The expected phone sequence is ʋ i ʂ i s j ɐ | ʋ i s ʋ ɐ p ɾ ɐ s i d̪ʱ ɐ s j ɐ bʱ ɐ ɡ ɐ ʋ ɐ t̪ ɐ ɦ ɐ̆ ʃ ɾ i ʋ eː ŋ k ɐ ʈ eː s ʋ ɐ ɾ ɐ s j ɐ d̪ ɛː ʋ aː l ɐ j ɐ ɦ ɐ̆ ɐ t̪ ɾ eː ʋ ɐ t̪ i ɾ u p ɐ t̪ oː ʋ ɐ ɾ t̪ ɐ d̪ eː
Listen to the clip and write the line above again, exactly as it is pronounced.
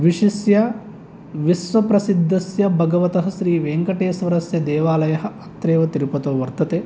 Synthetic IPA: ʋ i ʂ i s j ɐ | ʋ i s ʋ ɐ p ɾ ɐ s i d̪ʱː ɐ s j ɐ bʱ ɐ ɡ ɐ ʋ ɐ t̪ ɐ ɦ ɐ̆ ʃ ɾ iː ʋ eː ŋ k ɐ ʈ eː s ʋ ɐ ɾ ɐ s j ɐ d̪ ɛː ʋ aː l ɐ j ɐ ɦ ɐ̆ ɐ t̪ ɾ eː ʋ ɐ t̪ i ɾ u p ɐ t̪ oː ʋ ɐ ɾ t̪ ɐ t̪ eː